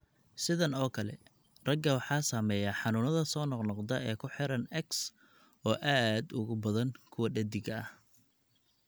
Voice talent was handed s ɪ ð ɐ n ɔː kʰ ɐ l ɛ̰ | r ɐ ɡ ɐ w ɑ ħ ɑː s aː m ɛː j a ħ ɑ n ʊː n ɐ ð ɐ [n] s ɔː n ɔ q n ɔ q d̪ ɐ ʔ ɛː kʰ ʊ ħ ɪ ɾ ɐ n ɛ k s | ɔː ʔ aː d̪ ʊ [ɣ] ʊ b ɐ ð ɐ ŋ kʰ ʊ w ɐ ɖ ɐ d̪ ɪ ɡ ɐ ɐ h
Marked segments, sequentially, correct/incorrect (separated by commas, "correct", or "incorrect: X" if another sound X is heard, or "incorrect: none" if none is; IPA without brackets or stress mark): incorrect: none, correct